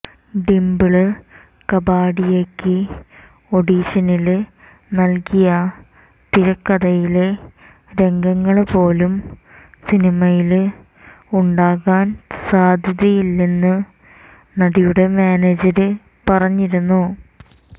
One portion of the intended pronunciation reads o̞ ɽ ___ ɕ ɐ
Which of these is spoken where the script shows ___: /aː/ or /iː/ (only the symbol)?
iː